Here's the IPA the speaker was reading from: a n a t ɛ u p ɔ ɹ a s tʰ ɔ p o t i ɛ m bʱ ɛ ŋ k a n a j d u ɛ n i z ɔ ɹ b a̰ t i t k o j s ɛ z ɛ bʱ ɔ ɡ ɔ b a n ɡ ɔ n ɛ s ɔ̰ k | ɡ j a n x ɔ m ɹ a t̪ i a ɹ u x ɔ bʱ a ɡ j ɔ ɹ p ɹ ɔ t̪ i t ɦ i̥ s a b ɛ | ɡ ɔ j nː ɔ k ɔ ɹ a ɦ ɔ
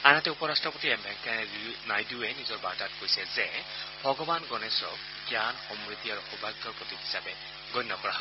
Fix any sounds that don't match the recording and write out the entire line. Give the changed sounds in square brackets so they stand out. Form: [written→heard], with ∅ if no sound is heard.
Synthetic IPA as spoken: a n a t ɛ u p ɔ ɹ a s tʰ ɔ p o t i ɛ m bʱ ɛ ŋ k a n a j d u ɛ n i z ɔ ɹ b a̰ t [i→a] t k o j s ɛ z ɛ bʱ ɔ ɡ ɔ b a n ɡ ɔ n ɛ s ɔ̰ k | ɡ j a n x ɔ m ɹ [a→i] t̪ i a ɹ u x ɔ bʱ a ɡ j ɔ ɹ p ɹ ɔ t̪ i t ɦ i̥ s a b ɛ | ɡ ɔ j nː ɔ k ɔ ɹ a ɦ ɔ